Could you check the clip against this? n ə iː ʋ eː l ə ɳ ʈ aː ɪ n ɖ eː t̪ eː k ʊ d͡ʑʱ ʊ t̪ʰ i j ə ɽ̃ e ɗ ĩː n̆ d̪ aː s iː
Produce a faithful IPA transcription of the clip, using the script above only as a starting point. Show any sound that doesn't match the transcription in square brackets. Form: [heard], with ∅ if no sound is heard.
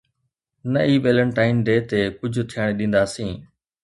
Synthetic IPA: n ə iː ʋ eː l ə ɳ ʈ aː ɪ n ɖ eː t̪ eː k ʊ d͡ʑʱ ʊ t̪ʰ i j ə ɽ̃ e ɗ ĩː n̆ d̪ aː s [ĩː]

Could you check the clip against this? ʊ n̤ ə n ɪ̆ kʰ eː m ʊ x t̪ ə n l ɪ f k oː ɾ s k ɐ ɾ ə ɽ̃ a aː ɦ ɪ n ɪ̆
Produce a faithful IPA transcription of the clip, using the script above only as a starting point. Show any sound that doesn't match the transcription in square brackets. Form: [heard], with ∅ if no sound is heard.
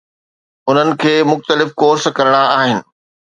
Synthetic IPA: ʊ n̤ ə n ɪ̆ kʰ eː m ʊ x t̪ ə [∅] l ɪ f k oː ɾ s k ɐ ɾ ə ɽ̃ a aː ɦ ɪ n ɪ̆

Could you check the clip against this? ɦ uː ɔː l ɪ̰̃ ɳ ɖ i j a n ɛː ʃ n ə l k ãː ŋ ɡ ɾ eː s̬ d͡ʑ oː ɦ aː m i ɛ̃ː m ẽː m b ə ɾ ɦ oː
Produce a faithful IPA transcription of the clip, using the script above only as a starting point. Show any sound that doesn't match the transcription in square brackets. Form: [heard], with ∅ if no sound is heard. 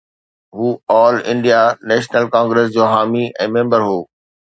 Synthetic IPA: ɦ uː ɔː l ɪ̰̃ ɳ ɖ i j a n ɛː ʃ n ə l k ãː ŋ ɡ ɾ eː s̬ d͡ʑ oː ɦ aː m i ɛ̃ː m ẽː m b ə ɾ ɦ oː

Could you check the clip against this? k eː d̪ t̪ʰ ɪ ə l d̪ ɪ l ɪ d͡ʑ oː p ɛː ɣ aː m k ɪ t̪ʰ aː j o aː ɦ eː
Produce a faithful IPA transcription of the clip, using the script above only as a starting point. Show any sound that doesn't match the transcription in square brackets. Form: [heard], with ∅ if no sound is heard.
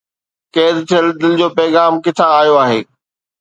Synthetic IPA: k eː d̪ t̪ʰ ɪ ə l d̪ ɪ l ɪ d͡ʑ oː p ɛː ɣ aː m k ɪ t̪ʰ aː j o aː ɦ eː

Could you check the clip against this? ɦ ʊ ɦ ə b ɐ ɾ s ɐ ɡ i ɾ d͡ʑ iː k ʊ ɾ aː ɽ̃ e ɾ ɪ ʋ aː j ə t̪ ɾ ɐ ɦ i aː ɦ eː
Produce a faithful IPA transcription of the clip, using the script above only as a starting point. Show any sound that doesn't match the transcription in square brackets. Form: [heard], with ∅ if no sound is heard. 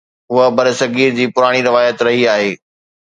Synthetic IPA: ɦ ʊ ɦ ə b ɐ ɾ s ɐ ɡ [iː] ɾ d͡ʑ iː [p] ʊ ɾ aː ɽ̃ [i] ɾ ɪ ʋ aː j ə t̪ ɾ ɐ ɦ i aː ɦ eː

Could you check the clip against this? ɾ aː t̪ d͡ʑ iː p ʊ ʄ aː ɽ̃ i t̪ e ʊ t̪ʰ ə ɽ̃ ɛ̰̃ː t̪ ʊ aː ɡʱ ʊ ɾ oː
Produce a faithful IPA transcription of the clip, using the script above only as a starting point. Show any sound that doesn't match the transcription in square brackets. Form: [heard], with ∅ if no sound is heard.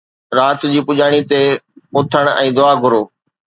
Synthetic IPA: ɾ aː t̪ d͡ʑ iː p ʊ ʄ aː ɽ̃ i t̪ e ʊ t̪ʰ ə ɽ̃ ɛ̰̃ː [d̪] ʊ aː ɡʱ ʊ ɾ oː

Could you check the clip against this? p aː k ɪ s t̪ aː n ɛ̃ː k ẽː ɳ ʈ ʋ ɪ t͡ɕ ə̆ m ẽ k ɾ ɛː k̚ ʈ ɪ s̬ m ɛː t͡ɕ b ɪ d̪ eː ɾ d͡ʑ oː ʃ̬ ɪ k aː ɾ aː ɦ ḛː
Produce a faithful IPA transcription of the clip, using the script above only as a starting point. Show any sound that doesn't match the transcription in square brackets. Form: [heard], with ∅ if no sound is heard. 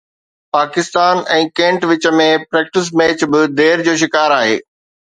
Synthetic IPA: p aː k ɪ s t̪ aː n ɛ̃ː k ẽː ɳ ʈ ʋ ɪ t͡ɕ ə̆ m ẽ [p] ɾ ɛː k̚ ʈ ɪ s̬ m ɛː t͡ɕ b ɪ d̪ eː ɾ d͡ʑ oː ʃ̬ ɪ k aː ɾ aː ɦ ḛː

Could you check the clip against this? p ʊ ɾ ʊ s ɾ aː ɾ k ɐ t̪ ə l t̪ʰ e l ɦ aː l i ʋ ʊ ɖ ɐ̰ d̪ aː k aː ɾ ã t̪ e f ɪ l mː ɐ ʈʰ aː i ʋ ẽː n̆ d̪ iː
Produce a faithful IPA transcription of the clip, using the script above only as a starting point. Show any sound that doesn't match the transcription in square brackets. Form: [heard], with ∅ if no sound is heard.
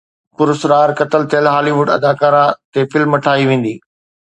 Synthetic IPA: p ʊ ɾ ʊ s ɾ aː ɾ k ɐ t̪ ə l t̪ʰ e l ɦ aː l i ʋ ʊ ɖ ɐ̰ d̪ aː k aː ɾ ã t̪ e f ɪ l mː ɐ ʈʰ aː i ʋ ẽː n̆ d̪ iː

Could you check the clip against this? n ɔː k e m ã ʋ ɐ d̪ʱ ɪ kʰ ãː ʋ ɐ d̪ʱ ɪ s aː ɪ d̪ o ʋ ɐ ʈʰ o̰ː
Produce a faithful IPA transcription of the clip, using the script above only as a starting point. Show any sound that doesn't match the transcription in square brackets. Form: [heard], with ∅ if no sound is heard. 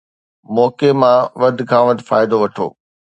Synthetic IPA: [m] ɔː k e m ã ʋ ɐ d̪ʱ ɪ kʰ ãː ʋ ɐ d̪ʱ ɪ [f] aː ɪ d̪ o ʋ ɐ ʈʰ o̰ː

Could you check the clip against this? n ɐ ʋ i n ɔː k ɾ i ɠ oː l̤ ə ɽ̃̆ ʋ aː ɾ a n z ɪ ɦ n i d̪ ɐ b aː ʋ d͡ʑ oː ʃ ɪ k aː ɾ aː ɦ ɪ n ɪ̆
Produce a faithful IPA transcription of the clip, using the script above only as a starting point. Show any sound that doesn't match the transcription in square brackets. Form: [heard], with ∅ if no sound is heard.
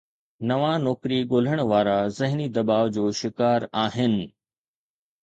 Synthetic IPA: n ɐ ʋ [a] n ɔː k ɾ i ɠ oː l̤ ə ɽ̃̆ ʋ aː ɾ a [∅] z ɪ ɦ n i d̪ ɐ b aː ʋ d͡ʑ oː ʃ ɪ k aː ɾ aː ɦ ɪ n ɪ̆

